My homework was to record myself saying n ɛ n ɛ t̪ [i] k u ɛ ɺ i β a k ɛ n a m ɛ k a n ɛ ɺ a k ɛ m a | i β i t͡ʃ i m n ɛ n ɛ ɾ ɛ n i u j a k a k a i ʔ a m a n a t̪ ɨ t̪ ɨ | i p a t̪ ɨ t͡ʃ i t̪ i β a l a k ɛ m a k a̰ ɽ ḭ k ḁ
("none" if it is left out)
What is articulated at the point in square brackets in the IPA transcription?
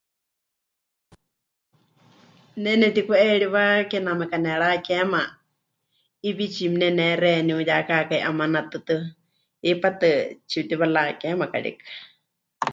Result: i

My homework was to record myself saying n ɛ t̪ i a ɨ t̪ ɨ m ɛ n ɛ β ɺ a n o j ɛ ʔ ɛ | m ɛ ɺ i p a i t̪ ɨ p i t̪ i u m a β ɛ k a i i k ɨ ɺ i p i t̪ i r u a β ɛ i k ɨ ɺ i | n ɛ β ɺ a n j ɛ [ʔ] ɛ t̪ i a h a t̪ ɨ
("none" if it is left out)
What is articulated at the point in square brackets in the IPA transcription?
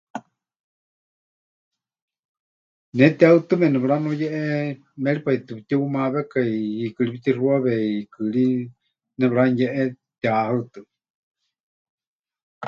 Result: ʔ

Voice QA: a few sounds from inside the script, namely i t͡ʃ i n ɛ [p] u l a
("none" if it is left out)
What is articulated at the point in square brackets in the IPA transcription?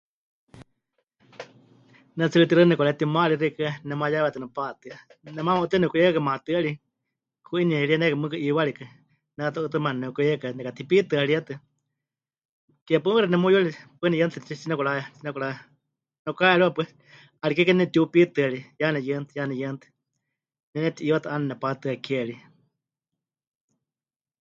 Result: k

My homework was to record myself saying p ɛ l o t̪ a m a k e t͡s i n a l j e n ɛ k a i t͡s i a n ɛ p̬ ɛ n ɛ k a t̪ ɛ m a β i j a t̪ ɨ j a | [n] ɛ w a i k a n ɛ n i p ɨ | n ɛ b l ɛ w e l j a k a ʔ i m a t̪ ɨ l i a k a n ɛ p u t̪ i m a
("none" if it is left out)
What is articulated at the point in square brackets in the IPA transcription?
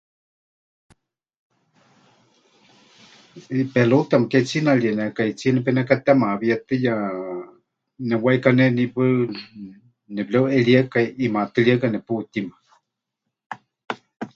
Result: n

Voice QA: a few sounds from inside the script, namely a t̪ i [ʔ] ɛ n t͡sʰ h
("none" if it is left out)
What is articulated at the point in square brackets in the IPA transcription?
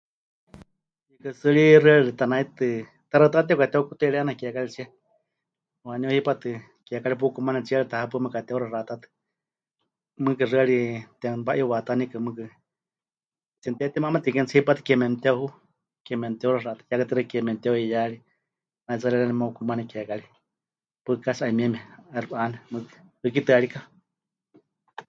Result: k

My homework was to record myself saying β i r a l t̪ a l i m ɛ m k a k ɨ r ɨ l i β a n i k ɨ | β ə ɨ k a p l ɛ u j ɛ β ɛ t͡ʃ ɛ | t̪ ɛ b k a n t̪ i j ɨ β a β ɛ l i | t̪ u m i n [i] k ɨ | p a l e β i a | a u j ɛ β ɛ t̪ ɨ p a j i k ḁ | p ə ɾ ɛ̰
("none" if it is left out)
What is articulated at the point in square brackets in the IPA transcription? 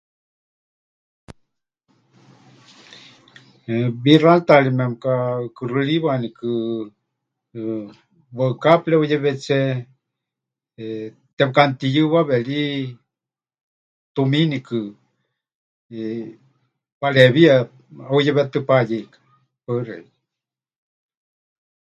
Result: i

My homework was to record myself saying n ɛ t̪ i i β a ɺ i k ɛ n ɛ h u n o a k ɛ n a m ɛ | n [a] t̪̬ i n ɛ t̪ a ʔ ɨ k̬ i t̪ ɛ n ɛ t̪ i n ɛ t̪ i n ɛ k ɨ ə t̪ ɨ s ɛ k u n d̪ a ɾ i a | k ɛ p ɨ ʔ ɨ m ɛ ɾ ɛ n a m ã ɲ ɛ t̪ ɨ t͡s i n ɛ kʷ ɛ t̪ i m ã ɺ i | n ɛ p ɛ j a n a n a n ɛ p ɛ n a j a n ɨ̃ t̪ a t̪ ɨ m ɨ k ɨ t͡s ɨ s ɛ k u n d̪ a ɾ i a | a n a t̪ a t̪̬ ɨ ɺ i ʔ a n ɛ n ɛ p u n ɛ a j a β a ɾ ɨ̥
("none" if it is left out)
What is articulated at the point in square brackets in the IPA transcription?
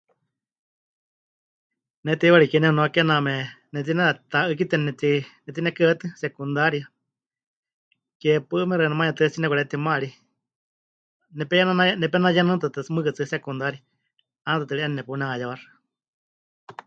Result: ɛ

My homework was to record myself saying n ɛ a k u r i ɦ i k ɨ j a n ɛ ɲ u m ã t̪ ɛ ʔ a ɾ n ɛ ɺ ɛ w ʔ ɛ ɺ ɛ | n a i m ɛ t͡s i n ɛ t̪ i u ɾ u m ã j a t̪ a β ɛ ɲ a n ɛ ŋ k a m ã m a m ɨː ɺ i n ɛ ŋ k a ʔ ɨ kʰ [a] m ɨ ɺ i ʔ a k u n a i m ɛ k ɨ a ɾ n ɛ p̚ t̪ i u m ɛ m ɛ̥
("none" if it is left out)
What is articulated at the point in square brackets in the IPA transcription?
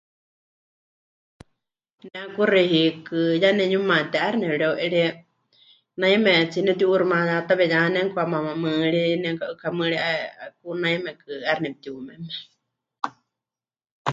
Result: a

